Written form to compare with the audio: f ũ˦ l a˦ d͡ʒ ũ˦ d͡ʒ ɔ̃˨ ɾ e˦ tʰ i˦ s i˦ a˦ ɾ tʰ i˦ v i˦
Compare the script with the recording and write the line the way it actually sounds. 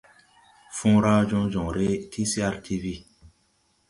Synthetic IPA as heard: f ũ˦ ɾ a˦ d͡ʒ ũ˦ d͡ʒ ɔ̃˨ ɾ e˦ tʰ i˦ s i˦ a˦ ɾ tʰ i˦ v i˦